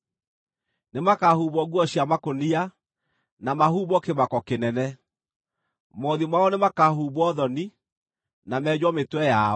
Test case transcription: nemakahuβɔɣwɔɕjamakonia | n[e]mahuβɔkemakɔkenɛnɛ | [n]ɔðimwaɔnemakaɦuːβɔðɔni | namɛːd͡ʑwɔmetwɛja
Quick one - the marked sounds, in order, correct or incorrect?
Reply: incorrect: a, incorrect: m

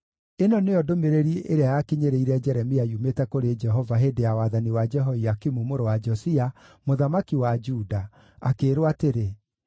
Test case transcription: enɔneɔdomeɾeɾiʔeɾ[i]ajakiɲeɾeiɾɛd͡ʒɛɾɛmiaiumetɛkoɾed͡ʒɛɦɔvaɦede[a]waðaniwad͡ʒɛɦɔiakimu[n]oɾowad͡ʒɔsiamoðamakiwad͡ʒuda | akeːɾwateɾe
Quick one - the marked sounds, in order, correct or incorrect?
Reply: incorrect: e, correct, incorrect: m

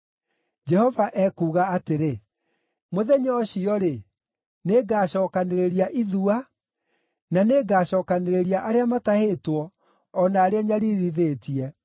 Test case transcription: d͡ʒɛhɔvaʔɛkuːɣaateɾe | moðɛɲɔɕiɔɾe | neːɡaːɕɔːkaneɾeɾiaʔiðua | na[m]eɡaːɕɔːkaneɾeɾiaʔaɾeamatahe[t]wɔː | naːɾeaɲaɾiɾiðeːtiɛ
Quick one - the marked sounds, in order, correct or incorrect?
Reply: incorrect: n, correct

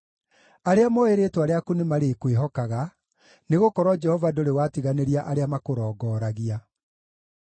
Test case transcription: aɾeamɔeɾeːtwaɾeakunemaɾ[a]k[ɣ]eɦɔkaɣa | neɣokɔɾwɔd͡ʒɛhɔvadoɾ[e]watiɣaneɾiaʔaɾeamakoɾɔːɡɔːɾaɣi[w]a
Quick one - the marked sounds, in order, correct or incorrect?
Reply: incorrect: e, incorrect: w, correct, incorrect: none

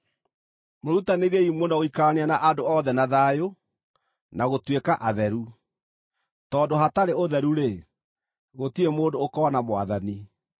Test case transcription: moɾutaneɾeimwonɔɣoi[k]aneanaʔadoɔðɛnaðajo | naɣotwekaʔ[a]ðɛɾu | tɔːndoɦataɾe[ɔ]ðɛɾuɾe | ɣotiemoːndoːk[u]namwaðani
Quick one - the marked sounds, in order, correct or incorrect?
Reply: correct, correct, incorrect: o, incorrect: ɔ

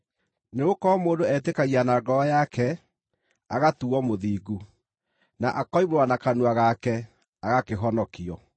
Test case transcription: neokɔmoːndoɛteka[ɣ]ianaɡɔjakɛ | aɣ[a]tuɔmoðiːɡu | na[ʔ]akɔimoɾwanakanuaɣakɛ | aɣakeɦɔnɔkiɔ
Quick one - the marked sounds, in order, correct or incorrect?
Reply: correct, correct, correct

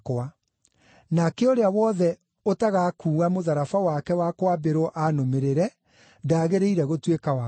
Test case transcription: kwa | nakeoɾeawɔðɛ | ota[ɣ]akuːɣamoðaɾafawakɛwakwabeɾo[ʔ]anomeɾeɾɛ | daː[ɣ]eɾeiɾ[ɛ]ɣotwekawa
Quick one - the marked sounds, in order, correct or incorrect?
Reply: correct, correct, correct, correct

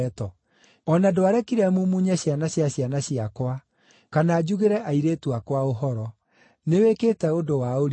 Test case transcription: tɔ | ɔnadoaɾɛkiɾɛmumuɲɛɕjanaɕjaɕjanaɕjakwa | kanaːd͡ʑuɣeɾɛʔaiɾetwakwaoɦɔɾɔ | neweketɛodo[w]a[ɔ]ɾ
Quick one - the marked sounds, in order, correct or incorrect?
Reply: correct, incorrect: o

